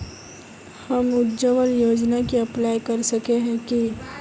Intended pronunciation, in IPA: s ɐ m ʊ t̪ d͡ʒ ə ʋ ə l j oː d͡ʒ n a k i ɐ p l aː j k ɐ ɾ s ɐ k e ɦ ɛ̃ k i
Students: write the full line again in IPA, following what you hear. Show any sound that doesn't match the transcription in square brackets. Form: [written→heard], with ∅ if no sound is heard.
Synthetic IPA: [s→h] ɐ m ʊ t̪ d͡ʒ ə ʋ ə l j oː d͡ʒ n a k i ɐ p l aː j k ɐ ɾ s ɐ k e ɦ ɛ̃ k i